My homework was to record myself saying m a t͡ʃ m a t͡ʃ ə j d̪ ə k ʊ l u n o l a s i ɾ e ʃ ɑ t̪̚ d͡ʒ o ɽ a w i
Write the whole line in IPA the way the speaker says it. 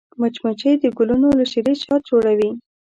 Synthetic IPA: m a t͡ʃ m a t͡ʃ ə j d̪ ə ɡ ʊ l u n o l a ʃ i ɾ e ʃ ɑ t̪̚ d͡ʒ o ɽ a w i